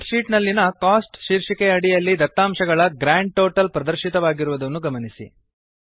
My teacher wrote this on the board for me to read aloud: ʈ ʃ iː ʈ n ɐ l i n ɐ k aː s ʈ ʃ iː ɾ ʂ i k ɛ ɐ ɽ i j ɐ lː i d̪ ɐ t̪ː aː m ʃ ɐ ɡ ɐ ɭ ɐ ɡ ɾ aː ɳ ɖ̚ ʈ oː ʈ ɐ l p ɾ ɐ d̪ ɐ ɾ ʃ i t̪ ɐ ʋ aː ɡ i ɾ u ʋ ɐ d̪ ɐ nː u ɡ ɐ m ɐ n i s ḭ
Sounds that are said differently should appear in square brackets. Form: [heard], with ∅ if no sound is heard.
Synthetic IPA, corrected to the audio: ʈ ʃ iː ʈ n ɐ [lː] i n ɐ k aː s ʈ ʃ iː ɾ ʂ i k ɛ ɐ ɽ i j ɐ lː i d̪ ɐ t̪ː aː m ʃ ɐ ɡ ɐ ɭ ɐ ɡ ɾ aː ɳ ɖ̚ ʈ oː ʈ ɐ l p ɾ ɐ d̪ ɐ ɾ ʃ i t̪ ɐ ʋ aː ɡ i ɾ u ʋ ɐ d̪ ɐ nː u ɡ ɐ m ɐ n i s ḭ